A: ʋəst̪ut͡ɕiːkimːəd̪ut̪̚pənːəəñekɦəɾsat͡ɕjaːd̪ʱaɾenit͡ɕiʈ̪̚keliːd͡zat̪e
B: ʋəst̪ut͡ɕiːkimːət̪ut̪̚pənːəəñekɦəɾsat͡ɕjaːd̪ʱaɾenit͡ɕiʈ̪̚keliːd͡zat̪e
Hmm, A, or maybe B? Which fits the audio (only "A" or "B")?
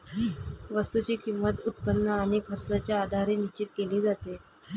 B